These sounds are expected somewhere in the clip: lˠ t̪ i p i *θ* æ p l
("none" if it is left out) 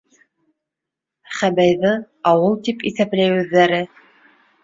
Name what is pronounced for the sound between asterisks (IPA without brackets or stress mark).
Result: θ